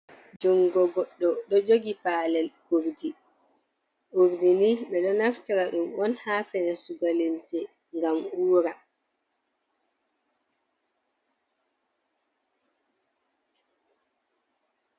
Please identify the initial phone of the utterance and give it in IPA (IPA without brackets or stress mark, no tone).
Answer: d͡ʒ